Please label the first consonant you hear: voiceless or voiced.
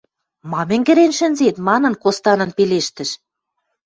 voiced